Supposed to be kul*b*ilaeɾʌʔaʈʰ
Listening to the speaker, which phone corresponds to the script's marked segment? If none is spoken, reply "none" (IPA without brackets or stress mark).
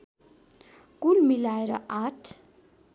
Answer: m